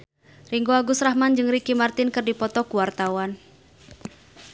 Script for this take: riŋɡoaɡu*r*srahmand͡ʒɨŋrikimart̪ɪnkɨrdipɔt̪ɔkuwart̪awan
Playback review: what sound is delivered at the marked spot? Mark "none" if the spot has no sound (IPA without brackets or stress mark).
none